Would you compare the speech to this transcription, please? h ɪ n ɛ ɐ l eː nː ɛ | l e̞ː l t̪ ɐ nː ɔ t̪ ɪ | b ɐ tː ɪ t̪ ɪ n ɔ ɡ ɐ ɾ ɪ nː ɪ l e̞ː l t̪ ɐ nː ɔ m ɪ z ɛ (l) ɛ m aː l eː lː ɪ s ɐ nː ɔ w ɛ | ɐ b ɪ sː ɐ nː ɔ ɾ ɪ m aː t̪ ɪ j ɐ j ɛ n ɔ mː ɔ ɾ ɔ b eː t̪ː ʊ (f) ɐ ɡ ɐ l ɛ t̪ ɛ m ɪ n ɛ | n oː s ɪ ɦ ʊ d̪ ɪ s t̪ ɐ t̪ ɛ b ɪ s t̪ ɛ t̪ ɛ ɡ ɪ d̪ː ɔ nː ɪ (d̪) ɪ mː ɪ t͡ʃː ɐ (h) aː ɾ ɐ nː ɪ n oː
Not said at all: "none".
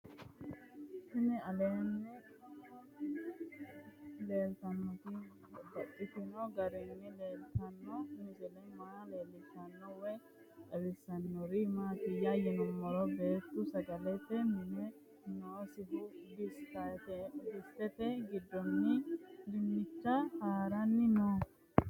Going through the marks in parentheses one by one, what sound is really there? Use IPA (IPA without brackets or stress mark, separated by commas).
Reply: l, s, d̪, h